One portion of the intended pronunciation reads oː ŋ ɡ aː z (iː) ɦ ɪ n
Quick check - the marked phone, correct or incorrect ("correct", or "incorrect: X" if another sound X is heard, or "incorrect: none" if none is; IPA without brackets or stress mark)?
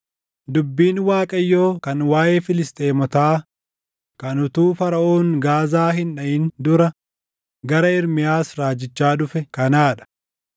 incorrect: aː